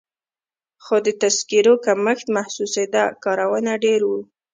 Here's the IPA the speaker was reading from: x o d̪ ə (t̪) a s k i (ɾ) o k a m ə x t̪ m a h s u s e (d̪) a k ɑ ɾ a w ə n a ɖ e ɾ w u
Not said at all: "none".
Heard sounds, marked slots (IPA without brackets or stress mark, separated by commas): t̪, ɾ, d̪